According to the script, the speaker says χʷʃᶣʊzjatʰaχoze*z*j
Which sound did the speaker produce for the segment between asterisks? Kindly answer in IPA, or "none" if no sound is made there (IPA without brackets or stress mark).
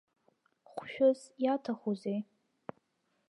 none